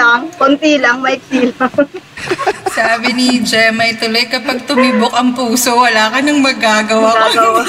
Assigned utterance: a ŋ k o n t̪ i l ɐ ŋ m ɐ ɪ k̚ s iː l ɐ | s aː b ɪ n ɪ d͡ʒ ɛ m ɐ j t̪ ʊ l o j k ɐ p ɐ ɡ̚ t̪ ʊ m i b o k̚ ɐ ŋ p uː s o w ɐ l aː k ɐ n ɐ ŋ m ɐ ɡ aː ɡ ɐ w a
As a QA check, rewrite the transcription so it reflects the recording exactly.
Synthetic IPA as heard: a ŋ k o n t̪ i l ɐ ŋ m ɐ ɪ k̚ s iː l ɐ | s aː b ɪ n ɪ d͡ʒ ɛ m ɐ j t̪ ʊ l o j k ɐ p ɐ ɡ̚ t̪ ʊ m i b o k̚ ɐ ŋ p uː s o w ɐ l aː k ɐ n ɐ ŋ m ɐ ɡ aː ɡ ɐ w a